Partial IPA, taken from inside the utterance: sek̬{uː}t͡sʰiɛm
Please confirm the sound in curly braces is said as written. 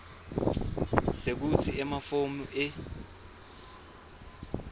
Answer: no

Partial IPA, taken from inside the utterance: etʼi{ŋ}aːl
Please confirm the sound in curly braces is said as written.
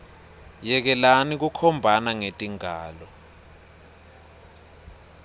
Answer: yes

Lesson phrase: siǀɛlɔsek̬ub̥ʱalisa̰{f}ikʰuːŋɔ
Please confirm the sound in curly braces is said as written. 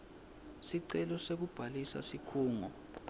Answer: no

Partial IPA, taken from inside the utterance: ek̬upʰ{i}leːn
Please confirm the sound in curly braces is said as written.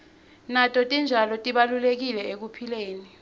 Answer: yes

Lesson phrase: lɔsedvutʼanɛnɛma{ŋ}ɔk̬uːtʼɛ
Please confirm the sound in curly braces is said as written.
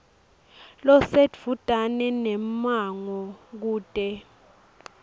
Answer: yes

